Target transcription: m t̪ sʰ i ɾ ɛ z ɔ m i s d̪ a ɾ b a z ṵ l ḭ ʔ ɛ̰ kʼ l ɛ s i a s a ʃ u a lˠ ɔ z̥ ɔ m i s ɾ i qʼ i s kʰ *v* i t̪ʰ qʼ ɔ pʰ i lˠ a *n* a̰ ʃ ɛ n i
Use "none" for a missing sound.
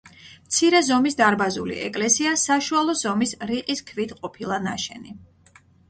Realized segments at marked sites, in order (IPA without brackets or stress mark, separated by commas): v, n